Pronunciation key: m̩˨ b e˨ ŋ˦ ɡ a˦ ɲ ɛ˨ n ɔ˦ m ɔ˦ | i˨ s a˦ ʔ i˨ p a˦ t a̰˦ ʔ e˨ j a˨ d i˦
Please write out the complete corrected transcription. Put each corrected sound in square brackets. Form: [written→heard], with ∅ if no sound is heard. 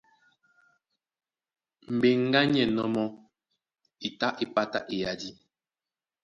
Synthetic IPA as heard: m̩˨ b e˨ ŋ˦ ɡ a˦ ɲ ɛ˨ n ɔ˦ m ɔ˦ | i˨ [s→t] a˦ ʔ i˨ p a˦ t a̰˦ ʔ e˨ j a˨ d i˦